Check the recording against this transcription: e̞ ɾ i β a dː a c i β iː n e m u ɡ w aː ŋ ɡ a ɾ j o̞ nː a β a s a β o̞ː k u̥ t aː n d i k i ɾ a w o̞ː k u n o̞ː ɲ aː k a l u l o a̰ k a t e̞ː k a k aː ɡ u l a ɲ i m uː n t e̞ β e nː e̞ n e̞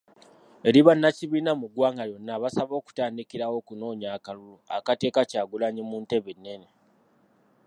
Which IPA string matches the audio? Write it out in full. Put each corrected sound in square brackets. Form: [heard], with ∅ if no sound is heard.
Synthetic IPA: e̞ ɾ i β a [nː] a c i β iː n [a] m u ɡ w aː ŋ ɡ a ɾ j o̞ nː a β a s a β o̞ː k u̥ t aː n d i k i ɾ a w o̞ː k u n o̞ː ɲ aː k a l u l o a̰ k a t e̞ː k a [c] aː ɡ u l a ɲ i m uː n t e̞ β e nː e̞ n e̞